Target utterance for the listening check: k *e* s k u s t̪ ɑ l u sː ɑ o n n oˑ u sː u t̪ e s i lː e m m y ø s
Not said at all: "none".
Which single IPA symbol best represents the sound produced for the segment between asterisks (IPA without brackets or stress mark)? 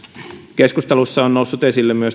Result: e